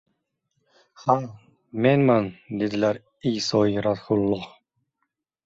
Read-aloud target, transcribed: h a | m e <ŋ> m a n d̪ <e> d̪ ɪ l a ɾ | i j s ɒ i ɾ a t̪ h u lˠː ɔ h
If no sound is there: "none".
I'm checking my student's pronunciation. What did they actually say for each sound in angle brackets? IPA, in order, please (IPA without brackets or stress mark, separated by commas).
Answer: n, e